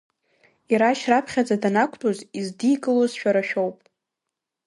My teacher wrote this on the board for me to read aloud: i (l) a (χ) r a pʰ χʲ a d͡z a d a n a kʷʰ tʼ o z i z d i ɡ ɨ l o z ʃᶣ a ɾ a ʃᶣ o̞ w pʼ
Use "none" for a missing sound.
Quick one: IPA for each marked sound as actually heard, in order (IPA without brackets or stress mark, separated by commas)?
ɾ, ʃ